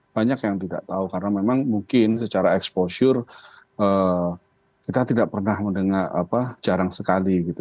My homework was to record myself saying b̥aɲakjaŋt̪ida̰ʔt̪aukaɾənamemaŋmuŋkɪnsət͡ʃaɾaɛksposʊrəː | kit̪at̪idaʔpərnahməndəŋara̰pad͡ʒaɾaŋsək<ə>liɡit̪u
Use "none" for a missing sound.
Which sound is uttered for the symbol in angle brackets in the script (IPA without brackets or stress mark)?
a